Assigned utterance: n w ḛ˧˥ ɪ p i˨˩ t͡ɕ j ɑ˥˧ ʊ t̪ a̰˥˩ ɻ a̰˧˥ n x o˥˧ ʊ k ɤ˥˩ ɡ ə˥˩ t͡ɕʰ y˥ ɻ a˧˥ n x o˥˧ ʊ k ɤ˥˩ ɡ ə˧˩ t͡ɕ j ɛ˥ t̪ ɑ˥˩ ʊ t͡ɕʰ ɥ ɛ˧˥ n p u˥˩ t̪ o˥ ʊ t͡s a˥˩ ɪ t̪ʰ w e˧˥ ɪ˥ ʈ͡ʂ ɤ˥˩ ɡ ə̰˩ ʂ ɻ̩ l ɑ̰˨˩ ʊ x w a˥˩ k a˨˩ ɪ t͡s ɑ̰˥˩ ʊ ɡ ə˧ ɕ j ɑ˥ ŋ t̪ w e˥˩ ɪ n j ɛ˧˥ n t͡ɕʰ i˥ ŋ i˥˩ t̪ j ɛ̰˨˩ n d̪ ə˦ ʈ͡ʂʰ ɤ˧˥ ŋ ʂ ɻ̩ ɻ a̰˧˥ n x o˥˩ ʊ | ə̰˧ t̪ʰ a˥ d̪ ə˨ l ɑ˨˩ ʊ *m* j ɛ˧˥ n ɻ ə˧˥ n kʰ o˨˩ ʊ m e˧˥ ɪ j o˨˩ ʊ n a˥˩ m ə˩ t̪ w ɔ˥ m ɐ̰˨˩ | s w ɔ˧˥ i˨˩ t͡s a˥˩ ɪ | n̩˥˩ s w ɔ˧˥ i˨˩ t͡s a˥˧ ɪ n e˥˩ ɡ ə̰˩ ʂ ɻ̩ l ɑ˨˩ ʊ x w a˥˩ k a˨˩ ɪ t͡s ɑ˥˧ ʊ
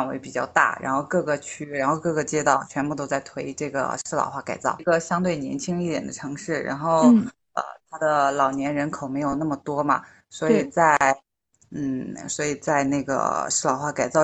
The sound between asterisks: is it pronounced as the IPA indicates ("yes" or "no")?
no